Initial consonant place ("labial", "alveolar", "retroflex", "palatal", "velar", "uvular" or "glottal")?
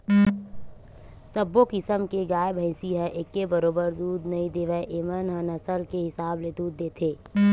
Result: alveolar